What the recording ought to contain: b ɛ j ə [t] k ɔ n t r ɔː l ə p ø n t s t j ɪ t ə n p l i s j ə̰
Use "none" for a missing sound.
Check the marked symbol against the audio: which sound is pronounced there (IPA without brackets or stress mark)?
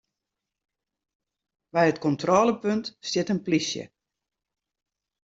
t